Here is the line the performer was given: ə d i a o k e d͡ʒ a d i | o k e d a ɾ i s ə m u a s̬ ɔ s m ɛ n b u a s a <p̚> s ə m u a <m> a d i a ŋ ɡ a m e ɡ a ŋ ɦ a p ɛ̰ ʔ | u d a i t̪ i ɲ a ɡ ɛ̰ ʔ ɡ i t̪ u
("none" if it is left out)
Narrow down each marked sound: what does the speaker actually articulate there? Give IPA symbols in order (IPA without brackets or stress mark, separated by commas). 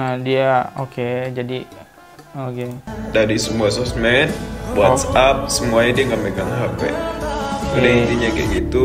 p̚, ɲ